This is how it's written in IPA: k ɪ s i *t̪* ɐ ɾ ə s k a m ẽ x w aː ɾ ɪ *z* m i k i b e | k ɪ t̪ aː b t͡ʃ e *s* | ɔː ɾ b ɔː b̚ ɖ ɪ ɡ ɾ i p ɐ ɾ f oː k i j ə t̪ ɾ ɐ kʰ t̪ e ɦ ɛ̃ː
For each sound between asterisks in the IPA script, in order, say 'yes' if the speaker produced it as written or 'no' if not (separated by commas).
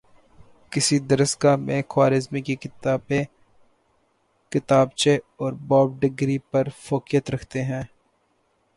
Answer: no, yes, no